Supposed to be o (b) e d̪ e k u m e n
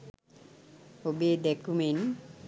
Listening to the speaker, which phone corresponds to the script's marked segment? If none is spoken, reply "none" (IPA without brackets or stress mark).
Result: b